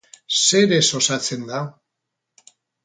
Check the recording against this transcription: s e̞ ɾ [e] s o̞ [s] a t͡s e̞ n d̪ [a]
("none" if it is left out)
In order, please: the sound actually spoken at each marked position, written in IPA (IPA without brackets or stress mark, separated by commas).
e, s, a